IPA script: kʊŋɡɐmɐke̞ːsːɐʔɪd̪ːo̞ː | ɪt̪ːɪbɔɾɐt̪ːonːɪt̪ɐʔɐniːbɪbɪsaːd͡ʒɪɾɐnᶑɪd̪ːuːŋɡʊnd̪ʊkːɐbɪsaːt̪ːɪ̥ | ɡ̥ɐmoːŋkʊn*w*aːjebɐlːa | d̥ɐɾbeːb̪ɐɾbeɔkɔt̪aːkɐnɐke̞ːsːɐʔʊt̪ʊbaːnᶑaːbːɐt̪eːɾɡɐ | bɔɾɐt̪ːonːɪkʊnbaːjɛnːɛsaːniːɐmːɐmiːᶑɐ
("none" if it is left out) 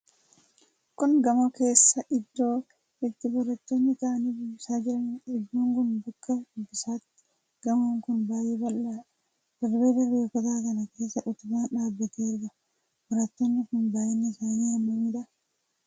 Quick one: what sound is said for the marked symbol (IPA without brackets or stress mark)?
b